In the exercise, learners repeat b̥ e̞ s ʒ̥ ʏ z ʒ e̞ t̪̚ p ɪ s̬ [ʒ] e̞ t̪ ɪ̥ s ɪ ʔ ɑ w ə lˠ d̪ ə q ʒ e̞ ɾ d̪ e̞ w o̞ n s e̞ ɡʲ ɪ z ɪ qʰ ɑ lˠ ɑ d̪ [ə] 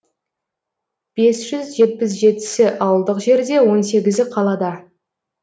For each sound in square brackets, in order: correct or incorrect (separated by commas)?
correct, incorrect